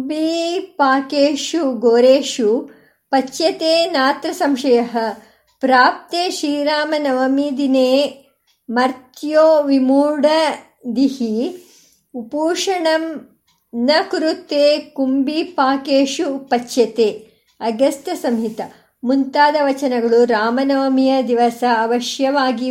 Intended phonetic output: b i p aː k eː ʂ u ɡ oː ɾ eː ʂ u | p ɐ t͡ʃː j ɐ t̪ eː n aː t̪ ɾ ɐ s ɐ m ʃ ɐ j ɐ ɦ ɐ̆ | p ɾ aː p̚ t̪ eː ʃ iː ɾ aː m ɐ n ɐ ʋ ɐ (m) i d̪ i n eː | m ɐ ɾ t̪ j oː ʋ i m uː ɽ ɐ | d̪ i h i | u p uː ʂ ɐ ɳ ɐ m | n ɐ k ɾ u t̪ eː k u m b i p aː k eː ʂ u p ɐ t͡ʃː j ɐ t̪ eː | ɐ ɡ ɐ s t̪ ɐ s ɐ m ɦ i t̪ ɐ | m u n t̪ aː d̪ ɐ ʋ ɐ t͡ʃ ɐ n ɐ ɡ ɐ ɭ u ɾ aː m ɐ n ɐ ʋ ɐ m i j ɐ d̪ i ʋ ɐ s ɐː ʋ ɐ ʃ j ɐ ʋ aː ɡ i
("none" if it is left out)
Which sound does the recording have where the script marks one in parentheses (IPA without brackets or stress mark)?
m